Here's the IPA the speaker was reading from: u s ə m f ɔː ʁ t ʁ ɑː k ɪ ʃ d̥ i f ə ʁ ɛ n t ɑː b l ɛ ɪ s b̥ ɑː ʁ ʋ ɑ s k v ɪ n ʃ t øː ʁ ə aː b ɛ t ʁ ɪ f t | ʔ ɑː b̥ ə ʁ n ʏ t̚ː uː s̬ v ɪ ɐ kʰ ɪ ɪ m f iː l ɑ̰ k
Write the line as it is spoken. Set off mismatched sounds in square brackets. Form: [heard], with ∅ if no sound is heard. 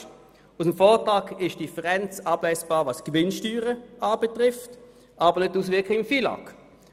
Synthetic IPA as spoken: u s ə m f ɔː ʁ t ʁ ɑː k ɪ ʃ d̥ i f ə ʁ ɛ n [t͡s] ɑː b l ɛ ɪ s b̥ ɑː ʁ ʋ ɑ s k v ɪ n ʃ t [yː] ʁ ə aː b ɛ t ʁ ɪ f t | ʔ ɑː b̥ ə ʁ n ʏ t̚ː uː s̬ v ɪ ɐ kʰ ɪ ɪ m f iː l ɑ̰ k